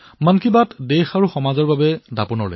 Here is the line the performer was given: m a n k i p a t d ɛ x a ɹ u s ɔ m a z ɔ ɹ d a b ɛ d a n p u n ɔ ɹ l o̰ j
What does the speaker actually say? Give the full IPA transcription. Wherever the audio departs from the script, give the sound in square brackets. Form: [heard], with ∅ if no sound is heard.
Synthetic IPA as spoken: m a n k i [b] a t d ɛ x a ɹ u [x] ɔ m a z ɔ ɹ [b] a b ɛ d a [∅] p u n ɔ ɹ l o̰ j